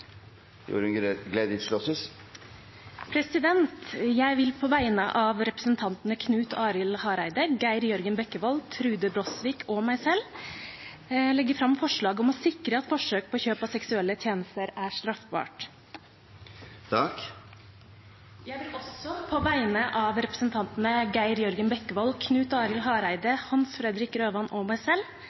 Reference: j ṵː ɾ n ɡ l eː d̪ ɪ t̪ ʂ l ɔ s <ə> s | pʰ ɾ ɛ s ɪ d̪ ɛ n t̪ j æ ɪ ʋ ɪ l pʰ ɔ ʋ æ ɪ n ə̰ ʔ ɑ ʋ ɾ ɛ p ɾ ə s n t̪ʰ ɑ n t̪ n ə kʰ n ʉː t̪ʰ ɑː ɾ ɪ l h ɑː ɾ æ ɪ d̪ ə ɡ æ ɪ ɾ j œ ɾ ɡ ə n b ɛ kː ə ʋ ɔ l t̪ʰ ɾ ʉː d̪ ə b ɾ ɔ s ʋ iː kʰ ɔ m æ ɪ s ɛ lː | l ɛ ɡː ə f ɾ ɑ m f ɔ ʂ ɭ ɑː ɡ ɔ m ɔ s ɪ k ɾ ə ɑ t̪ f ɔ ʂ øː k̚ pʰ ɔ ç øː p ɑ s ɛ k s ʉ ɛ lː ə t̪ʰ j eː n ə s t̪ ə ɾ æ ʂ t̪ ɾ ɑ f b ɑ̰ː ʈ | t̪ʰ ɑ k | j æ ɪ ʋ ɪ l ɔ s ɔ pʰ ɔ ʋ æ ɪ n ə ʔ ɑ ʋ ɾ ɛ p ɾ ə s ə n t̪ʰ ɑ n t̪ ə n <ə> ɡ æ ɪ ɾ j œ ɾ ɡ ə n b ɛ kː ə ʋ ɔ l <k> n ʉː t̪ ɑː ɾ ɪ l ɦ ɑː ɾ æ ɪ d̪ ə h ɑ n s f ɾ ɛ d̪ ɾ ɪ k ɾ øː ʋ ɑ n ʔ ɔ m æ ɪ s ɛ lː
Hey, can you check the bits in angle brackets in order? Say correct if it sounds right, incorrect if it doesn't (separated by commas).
correct, correct, incorrect